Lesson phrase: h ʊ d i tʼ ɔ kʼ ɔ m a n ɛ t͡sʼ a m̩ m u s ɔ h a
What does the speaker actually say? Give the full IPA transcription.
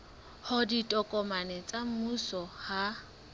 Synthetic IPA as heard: h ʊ d i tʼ ɔ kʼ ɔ m a n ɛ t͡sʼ a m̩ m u s ɔ h a